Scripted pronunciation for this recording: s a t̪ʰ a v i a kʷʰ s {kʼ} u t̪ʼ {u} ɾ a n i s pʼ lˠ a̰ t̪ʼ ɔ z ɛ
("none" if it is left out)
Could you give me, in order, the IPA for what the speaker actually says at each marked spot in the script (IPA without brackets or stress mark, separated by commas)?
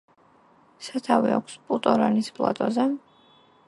pʼ, ɔ